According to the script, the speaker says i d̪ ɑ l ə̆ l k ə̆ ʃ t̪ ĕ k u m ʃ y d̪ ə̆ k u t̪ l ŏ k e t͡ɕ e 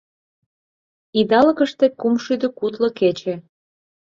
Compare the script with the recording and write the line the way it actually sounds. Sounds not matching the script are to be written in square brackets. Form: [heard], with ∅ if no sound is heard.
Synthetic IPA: i d̪ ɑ l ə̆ [∅] k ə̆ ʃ t̪ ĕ k u m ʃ y d̪ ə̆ k u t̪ l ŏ k e t͡ɕ e